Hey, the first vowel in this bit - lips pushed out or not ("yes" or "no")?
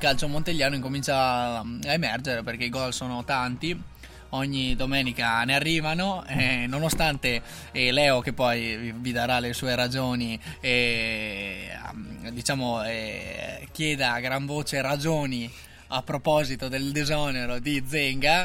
no